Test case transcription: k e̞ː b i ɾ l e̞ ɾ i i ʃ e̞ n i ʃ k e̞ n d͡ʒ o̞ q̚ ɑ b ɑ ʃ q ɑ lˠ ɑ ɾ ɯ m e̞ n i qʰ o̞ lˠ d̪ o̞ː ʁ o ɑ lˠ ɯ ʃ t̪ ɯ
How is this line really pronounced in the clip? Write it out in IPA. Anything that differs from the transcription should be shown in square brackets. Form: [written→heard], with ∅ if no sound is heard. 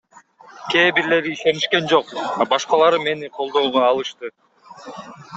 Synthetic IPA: k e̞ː b i ɾ l e̞ ɾ i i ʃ e̞ n i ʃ k e̞ n d͡ʒ o̞ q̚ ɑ b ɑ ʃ q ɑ lˠ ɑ ɾ ɯ m e̞ n i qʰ o̞ lˠ d̪ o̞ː ʁ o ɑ lˠ ɯ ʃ t̪ ɯ